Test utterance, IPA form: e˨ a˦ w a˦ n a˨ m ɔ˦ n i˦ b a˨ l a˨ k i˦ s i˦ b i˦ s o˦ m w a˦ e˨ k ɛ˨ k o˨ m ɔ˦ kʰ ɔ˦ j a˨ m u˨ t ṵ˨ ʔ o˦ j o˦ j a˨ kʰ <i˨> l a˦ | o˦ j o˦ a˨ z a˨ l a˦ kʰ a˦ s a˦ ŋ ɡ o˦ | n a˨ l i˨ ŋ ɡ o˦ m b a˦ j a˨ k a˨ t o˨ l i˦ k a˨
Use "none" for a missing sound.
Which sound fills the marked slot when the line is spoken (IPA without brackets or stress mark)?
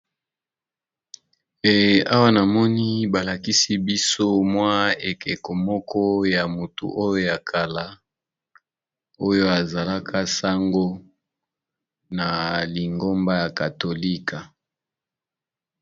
a˨